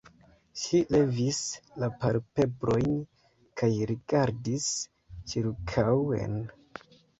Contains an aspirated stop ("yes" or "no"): yes